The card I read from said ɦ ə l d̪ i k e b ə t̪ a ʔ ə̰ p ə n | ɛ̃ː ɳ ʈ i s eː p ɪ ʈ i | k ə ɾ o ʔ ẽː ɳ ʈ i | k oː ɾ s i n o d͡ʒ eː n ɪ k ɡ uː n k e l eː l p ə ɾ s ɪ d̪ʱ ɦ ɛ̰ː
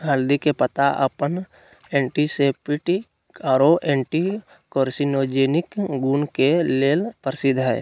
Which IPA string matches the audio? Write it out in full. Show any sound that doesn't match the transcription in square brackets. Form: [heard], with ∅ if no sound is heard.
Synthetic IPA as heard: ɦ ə l d̪ i k e [p] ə t̪ a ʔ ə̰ p ə n | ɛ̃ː ɳ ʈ i s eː p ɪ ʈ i | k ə ɾ o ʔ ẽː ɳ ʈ i | k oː ɾ s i n o d͡ʒ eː n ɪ k ɡ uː n k e l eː l p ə ɾ s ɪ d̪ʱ ɦ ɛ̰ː